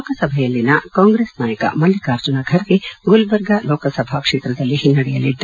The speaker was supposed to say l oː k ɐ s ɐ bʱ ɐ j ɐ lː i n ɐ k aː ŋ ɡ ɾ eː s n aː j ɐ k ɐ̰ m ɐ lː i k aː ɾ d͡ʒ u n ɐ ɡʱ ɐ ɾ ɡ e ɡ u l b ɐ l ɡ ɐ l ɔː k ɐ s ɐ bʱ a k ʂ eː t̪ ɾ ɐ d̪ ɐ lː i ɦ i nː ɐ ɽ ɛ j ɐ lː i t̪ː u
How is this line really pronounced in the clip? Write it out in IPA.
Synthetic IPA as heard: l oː k ɐ s ɐ bʱ ɐ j ɐ lː i n ɐ k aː ŋ ɡ ɾ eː s n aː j ɐ k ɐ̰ m ɐ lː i k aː ɾ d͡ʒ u n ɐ ɡʱ ɐ ɾ ɡ e ɡ u l b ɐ ɾ ɡ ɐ l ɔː k ɐ s ɐ bʱ a k ʂ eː t̪ ɾ ɐ d̪ ɐ lː i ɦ i nː ɐ ɽ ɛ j ɐ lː i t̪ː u